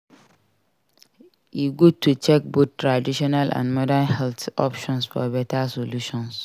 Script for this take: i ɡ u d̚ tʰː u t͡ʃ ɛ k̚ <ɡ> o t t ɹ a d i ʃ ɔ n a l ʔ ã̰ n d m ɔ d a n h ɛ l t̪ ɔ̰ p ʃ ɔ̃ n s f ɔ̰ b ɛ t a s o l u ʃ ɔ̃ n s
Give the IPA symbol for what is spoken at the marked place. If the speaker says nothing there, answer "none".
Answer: b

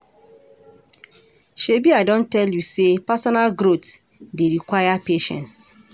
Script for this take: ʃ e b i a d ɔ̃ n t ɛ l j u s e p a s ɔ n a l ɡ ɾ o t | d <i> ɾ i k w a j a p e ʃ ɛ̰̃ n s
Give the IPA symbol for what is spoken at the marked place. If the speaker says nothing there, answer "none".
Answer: e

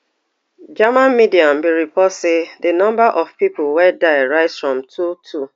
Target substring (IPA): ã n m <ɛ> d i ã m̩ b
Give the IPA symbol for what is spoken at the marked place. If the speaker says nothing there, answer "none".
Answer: i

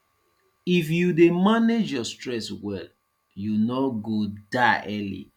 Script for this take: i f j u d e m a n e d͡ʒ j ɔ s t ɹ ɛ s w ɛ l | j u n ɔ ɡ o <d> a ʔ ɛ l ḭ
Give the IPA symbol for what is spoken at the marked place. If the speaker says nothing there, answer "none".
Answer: d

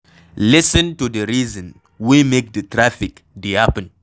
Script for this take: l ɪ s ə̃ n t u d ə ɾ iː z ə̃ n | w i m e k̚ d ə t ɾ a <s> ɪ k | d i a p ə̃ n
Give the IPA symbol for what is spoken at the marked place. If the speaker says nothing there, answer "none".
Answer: f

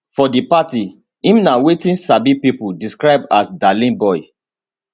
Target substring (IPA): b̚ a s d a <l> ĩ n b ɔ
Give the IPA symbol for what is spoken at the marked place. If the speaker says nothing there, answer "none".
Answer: l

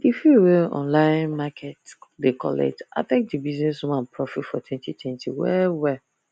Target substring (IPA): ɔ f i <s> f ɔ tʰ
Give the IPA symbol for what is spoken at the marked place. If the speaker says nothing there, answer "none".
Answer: t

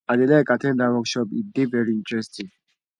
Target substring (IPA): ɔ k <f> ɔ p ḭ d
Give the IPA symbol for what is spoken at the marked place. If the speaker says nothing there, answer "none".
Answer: ʃ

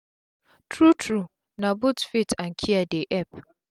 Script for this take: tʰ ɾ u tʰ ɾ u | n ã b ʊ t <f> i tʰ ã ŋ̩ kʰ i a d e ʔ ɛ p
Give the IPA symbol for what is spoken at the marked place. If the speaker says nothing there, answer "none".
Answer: f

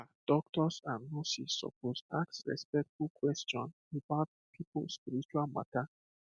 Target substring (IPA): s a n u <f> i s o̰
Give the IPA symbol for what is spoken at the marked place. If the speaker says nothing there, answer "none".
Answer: s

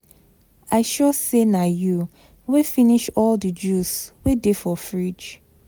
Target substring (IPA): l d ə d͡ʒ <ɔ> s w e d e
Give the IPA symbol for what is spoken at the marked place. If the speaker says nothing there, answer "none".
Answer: u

